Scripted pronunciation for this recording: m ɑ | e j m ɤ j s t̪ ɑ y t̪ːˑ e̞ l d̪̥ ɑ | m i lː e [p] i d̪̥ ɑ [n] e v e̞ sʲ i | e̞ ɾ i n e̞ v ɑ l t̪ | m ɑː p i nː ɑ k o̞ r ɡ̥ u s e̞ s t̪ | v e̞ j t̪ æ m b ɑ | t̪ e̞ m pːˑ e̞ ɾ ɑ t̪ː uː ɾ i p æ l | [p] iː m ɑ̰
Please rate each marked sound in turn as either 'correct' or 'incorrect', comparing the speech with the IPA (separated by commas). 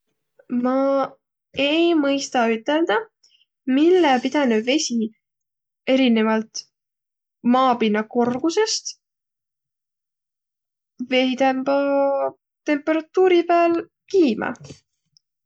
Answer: correct, correct, incorrect